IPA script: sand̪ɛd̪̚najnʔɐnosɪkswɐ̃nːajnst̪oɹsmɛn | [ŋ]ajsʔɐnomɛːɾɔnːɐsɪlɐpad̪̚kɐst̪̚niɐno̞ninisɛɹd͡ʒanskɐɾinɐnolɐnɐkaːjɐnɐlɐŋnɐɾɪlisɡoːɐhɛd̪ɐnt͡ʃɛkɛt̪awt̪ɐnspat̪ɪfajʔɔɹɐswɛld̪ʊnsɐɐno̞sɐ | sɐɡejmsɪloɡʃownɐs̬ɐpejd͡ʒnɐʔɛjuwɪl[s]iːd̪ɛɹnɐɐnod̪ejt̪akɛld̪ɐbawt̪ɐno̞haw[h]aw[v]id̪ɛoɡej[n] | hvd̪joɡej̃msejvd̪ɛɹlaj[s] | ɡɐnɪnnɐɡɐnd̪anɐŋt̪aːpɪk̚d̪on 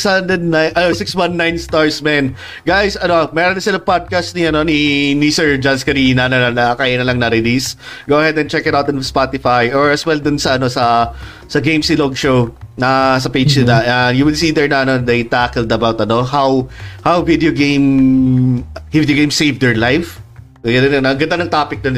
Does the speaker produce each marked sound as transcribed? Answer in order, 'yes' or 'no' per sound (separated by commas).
no, yes, yes, yes, no, no